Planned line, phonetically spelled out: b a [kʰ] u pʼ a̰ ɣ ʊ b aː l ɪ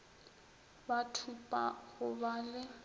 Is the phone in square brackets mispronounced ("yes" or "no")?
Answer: yes